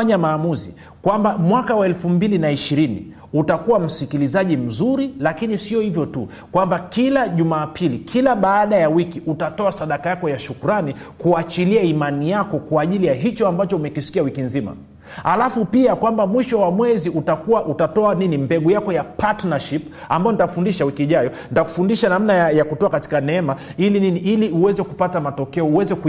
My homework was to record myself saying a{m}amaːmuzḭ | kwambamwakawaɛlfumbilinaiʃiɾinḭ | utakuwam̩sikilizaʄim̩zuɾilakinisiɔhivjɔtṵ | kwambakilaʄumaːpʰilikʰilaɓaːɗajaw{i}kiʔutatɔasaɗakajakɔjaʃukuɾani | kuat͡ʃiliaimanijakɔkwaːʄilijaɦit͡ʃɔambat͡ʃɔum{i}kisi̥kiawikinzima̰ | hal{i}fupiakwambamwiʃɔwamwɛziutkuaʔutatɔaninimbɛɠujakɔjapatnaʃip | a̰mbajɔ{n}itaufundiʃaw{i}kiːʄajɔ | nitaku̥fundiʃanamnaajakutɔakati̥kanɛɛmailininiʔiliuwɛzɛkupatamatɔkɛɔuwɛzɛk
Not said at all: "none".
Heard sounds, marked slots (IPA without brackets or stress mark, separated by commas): ɲ, i, ɛ, a, n, i